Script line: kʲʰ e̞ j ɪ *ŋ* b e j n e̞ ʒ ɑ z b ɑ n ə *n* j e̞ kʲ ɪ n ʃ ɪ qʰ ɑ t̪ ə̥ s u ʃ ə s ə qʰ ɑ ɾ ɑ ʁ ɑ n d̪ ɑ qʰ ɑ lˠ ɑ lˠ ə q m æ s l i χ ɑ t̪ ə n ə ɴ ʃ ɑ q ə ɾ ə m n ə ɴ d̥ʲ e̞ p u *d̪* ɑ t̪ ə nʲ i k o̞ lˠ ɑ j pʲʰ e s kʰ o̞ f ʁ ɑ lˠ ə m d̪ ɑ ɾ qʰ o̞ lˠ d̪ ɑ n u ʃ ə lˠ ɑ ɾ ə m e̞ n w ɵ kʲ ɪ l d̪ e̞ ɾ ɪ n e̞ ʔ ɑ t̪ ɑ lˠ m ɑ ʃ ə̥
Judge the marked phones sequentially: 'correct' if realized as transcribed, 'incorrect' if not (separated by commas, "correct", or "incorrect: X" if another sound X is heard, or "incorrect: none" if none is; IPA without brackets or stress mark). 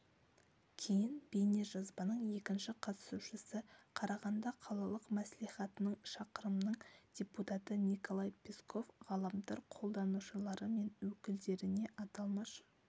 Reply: incorrect: n, incorrect: ɴ, incorrect: t̪